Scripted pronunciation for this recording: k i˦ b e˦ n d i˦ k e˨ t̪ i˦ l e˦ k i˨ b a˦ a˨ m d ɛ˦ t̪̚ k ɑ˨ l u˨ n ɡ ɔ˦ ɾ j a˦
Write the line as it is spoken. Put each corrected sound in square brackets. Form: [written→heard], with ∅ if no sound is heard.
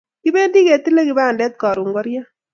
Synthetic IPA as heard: k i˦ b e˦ n d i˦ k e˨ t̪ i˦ l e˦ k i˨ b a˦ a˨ [m→n] d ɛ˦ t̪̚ k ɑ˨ [l→ɾ] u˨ [n→ŋ] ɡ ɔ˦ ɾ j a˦